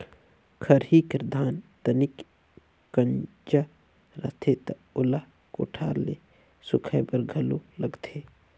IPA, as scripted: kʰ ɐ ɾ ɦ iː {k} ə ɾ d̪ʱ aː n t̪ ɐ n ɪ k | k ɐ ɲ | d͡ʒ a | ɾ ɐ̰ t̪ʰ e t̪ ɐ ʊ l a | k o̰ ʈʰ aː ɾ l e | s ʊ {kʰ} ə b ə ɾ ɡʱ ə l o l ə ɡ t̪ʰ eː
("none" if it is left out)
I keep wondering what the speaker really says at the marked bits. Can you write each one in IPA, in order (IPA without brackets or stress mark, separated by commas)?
k, kʰ